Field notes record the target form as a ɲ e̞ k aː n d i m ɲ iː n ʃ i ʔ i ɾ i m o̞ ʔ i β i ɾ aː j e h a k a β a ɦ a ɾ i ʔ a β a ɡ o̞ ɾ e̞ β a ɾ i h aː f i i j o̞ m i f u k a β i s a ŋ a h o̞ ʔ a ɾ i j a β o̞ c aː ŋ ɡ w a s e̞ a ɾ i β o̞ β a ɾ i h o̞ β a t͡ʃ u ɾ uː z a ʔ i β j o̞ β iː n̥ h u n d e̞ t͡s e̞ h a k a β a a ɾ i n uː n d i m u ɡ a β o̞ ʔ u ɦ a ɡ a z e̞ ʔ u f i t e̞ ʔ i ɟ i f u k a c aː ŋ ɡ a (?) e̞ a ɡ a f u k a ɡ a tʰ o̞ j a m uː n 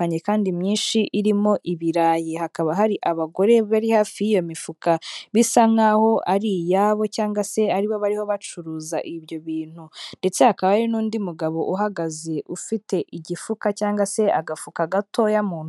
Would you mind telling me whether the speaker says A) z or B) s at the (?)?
B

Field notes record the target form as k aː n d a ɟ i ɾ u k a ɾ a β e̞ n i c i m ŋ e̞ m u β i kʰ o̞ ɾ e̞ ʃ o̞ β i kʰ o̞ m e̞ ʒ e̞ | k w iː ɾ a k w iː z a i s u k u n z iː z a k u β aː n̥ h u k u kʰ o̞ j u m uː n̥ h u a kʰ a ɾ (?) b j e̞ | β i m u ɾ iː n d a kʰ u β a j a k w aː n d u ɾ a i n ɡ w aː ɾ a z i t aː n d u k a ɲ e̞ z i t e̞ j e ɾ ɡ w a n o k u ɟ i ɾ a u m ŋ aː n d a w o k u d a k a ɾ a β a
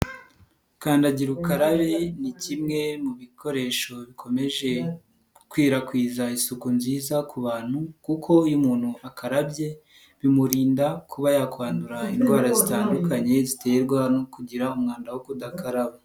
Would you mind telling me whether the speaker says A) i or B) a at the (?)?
B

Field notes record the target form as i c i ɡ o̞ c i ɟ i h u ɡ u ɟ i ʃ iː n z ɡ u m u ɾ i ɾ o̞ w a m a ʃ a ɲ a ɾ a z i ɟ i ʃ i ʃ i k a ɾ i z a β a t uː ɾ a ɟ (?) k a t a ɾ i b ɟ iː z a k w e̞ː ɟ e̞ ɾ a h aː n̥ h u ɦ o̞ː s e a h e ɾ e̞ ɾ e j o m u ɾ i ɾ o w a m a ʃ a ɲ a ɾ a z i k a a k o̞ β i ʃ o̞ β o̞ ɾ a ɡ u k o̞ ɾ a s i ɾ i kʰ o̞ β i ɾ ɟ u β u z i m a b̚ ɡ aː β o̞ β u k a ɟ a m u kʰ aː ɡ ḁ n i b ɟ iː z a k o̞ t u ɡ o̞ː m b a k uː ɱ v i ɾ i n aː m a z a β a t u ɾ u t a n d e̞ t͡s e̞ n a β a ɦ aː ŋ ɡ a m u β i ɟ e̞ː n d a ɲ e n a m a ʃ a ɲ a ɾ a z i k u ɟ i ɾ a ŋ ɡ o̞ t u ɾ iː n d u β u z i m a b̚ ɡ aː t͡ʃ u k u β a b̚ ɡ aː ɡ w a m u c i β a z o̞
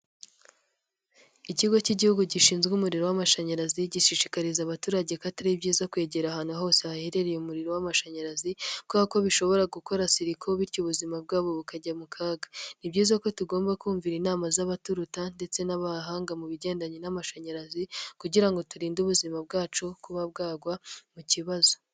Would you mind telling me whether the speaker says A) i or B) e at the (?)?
B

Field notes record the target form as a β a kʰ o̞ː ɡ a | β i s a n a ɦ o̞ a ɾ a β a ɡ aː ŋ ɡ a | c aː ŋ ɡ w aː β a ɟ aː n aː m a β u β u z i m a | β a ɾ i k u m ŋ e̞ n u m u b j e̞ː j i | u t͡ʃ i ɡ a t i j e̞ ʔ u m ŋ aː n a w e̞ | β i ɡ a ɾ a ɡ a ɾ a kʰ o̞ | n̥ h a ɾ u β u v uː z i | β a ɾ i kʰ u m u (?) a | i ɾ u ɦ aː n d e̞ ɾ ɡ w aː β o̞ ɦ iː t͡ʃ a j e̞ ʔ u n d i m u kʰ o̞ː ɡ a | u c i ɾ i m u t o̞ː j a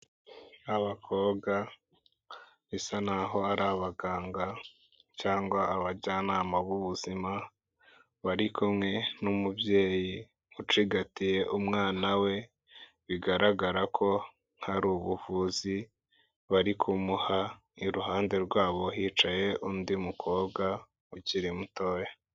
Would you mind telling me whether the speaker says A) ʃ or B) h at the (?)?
B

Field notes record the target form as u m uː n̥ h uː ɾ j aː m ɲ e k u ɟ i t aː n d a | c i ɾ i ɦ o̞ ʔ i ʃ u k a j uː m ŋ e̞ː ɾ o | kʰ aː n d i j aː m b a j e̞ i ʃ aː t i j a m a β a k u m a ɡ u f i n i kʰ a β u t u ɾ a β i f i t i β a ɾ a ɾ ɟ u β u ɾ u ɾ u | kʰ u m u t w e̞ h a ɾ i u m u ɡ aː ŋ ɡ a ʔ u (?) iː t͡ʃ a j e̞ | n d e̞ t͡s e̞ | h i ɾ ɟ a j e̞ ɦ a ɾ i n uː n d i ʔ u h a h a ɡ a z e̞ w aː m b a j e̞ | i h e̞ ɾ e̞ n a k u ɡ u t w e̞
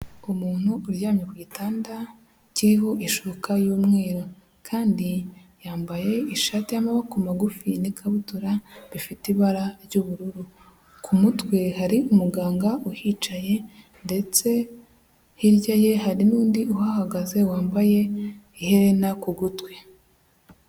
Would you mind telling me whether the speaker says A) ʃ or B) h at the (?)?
B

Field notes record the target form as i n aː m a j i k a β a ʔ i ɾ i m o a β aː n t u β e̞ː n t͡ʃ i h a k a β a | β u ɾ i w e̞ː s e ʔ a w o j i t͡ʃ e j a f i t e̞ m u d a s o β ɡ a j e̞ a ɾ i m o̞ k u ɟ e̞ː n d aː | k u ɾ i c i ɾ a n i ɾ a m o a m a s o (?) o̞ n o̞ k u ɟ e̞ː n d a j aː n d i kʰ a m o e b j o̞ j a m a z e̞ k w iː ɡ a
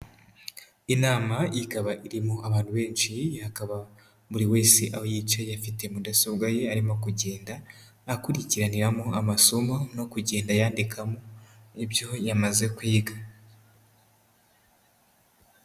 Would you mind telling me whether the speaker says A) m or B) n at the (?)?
A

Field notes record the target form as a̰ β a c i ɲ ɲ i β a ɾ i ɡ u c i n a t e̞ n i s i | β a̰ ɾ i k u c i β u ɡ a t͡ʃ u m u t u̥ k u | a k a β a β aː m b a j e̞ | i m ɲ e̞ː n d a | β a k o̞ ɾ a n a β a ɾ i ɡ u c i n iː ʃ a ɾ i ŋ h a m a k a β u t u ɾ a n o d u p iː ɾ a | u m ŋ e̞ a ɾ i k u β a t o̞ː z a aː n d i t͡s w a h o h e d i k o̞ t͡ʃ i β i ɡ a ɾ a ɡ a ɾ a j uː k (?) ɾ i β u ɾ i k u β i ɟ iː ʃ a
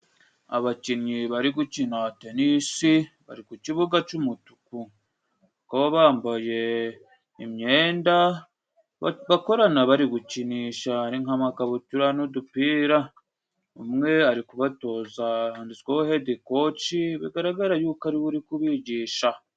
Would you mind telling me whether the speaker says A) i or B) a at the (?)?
B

